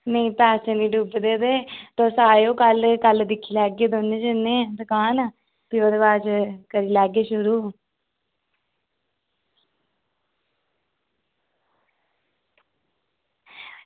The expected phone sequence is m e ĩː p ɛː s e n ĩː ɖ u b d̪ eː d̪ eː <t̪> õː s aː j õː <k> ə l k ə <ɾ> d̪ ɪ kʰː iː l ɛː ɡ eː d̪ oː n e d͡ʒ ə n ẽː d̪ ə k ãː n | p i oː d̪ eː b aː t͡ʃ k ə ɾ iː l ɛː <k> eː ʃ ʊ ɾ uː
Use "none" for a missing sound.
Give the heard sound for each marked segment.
t̪, k, l, ɡ

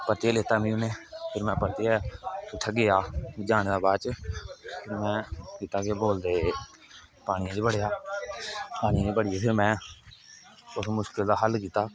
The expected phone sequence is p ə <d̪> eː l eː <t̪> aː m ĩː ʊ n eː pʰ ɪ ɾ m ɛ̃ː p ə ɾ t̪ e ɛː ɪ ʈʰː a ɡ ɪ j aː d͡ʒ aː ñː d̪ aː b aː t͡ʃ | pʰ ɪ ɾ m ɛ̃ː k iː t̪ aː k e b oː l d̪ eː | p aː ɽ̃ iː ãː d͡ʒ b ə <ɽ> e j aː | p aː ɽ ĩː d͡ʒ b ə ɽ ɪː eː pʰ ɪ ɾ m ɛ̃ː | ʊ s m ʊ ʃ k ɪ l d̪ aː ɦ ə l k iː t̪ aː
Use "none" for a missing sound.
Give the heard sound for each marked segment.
t̪, t̪, ɽ

